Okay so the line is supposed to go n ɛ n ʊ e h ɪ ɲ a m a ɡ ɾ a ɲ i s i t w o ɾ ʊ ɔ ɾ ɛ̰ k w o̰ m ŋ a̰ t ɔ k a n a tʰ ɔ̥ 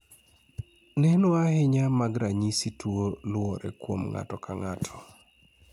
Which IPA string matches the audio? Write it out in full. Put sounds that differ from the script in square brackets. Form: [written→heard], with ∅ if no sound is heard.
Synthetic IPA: n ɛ n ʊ [e→a] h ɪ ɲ a m a ɡ ɾ a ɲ i s i t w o [ɾ→l] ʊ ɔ ɾ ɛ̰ k w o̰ m ŋ a̰ t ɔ k a [n→ŋ] a tʰ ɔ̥